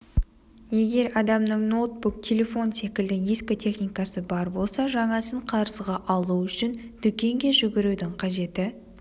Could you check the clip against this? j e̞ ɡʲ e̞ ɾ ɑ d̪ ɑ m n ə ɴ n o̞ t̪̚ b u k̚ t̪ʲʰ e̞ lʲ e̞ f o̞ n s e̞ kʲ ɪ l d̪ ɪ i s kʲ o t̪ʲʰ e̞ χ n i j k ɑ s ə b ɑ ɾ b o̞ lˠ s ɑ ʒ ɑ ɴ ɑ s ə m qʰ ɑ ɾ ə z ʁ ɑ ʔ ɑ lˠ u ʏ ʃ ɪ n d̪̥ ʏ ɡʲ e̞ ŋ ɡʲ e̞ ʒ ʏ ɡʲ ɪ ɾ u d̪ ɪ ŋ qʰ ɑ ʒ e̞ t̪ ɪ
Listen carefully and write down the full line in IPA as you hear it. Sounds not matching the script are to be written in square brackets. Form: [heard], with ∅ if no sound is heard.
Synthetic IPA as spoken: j e̞ ɡʲ e̞ ɾ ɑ d̪ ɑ m n ə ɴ n o̞ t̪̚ b u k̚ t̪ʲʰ e̞ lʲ e̞ f o̞ n s e̞ kʲ ɪ l d̪ ɪ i s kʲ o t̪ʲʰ e̞ χ n i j k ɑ s ə b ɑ ɾ b o̞ lˠ s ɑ ʒ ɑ ɴ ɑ s ə [ɴ] qʰ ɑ ɾ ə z ʁ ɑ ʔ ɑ lˠ u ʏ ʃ ɪ n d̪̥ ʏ [kʲ] e̞ ŋ ɡʲ e̞ ʒ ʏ ɡʲ ɪ ɾ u d̪ ɪ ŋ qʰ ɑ ʒ e̞ t̪ ɪ